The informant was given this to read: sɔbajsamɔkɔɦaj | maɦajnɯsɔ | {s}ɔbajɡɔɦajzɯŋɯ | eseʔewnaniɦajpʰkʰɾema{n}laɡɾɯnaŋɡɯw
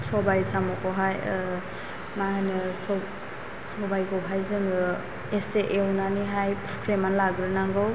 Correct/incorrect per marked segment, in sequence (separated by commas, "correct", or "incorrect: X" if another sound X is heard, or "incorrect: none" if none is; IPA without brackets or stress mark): correct, correct